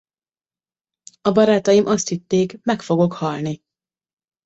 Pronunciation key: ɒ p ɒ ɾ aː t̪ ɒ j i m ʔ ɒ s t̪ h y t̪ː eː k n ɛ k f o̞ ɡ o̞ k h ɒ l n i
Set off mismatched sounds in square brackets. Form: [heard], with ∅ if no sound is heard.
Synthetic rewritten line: ɒ [b] ɒ ɾ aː t̪ ɒ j i m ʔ ɒ s t̪ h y t̪ː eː k [m] ɛ k f o̞ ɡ o̞ k h ɒ l n i

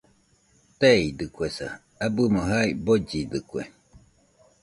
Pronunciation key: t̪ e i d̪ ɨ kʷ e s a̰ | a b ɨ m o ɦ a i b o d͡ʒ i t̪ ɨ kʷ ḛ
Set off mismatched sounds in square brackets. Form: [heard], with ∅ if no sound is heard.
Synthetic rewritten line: t̪ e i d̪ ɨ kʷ e s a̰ | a b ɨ m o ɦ a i b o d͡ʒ i [d̪] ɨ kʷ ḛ

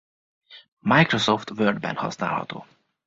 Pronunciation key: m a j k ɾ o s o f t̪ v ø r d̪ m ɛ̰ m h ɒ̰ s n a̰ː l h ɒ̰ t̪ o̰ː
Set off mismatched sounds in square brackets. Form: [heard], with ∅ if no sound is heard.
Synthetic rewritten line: m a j k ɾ o s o f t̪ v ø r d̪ [b] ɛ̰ [n] h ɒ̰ s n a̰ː l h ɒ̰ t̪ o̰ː

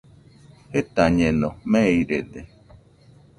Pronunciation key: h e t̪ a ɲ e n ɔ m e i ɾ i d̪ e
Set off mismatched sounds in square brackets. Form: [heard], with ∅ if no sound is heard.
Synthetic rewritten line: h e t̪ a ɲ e n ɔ m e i ɾ [e] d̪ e

